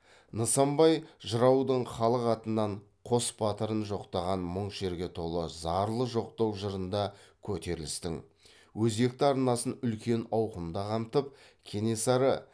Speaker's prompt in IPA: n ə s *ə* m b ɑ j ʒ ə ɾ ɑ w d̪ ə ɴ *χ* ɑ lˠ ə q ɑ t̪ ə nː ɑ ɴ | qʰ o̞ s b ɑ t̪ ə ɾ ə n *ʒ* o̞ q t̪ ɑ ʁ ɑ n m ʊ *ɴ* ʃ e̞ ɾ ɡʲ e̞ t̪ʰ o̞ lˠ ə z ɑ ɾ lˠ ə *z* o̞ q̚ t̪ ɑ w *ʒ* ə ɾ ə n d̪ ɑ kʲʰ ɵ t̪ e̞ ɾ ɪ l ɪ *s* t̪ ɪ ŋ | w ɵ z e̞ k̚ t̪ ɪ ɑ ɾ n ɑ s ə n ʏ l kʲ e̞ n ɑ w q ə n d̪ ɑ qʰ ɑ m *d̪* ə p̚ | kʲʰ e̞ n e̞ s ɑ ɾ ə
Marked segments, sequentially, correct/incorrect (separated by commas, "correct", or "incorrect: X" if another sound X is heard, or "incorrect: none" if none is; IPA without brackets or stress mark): incorrect: ɑ, correct, correct, correct, incorrect: ʒ, correct, correct, incorrect: t̪